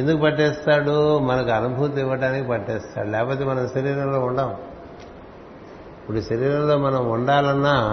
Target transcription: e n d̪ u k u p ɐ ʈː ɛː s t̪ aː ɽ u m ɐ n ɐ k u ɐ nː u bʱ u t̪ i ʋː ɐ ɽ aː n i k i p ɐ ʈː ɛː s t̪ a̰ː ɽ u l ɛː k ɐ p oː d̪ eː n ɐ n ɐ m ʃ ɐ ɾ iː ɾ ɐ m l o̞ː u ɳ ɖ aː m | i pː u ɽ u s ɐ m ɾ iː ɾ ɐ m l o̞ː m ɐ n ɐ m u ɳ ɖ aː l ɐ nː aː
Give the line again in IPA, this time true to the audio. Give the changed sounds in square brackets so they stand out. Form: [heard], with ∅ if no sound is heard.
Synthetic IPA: e n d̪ u k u p ɐ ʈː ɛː s t̪ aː ɽ u m ɐ n ɐ k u ɐ [n] u bʱ u t̪ i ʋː ɐ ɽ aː n i k i p ɐ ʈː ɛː s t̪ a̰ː ɽ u l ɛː k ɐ p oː [t̪] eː [m] ɐ n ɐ m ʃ ɐ ɾ iː ɾ ɐ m l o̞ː u ɳ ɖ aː m | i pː u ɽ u [ʃ] ɐ [∅] ɾ iː ɾ ɐ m l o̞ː m ɐ n ɐ m u ɳ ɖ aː l ɐ nː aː